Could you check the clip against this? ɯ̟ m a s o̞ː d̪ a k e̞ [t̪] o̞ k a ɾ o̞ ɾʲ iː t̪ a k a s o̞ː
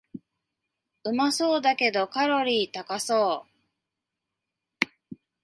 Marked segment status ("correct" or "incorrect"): incorrect